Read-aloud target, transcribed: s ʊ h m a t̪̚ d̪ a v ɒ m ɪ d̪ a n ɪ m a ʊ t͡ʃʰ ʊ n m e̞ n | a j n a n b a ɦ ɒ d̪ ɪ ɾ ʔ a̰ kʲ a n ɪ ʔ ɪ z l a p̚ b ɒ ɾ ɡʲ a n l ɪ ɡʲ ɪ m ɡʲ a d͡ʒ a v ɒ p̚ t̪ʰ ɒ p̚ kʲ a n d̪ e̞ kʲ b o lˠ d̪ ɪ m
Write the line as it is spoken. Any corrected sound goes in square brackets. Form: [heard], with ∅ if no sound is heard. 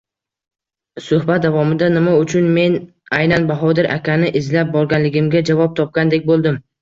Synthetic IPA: s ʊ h [b] a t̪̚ d̪ a v ɒ m ɪ d̪ a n ɪ m a ʊ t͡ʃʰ ʊ n m e̞ n | a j n a n b a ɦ ɒ d̪ ɪ ɾ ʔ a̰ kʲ a n ɪ ʔ ɪ z l a p̚ b ɒ ɾ ɡʲ a n l ɪ ɡʲ ɪ m ɡʲ a d͡ʒ a v ɒ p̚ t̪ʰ ɒ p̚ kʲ a n d̪ e̞ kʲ b o lˠ d̪ ɪ m